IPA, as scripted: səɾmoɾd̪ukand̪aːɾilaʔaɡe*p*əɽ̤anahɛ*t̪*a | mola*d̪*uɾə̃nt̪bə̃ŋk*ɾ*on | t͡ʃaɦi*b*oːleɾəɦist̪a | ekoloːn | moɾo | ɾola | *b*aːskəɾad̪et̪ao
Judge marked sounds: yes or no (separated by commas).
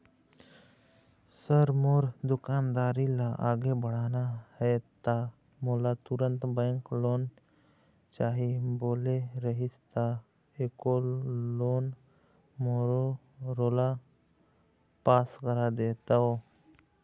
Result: no, yes, no, no, yes, no